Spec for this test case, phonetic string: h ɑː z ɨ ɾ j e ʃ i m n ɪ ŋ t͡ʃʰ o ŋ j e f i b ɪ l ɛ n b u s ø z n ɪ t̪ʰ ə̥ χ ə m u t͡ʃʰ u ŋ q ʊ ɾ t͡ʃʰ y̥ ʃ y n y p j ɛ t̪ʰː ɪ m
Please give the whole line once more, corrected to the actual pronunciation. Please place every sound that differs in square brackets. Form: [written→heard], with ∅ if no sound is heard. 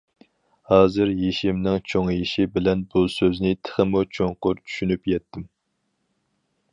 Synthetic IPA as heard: h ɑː z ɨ ɾ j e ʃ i m n ɪ ŋ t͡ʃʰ o ŋ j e [f→ʃ] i b ɪ l ɛ n b u s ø z n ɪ t̪ʰ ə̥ χ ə m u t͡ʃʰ [u→o] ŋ q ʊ ɾ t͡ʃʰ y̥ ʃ y n y p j ɛ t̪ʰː ɪ m